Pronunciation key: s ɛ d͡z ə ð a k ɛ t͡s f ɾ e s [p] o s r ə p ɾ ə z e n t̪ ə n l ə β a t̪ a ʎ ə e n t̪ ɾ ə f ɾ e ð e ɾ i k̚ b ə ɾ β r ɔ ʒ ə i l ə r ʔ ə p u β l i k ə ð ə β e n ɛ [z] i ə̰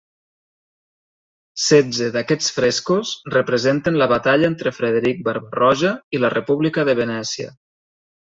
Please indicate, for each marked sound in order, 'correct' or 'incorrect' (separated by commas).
incorrect, incorrect